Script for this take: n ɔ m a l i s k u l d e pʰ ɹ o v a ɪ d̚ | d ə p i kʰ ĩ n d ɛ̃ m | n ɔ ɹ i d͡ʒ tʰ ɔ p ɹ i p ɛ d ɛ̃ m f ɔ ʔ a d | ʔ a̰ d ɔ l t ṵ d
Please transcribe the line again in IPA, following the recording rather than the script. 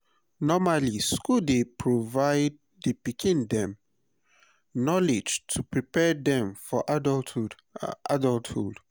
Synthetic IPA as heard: n ɔ m a l i s k u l d e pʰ ɹ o v a ɪ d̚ | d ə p i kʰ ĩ n d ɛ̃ m | n ɔ l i d͡ʒ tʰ u p ɹ i p ɛ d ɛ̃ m f ɔ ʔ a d | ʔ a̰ d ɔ l t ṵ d